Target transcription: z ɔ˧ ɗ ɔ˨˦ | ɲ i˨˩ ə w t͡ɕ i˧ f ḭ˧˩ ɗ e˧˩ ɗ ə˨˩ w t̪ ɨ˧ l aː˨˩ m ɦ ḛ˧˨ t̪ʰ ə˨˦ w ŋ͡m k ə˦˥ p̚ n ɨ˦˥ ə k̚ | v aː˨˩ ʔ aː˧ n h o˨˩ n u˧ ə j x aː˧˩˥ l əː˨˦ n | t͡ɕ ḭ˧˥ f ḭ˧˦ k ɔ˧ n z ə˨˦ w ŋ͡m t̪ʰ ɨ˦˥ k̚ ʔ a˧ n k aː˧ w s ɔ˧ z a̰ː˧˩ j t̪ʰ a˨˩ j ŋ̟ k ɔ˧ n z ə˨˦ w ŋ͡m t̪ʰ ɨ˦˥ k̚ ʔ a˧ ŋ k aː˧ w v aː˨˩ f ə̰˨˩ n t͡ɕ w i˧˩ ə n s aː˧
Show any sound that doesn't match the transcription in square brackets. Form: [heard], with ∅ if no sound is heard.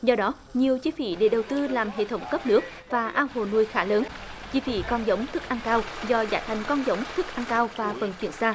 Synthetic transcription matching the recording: z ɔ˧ ɗ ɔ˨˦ | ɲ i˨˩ ə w t͡ɕ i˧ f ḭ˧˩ ɗ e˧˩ ɗ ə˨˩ w t̪ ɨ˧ l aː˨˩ m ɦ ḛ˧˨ t̪ʰ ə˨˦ w ŋ͡m k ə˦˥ p̚ n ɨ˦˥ ə k̚ | v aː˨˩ ʔ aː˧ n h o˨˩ n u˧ ə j x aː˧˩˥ l əː˨˦ n | t͡ɕ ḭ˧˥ f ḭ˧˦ k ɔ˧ n z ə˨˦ w ŋ͡m t̪ʰ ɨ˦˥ k̚ ʔ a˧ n k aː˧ w [z] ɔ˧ z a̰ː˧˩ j t̪ʰ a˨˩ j ŋ̟ k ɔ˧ n z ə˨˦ w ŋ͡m t̪ʰ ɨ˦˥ k̚ ʔ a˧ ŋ k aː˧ w v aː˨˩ f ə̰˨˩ n t͡ɕ w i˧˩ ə n s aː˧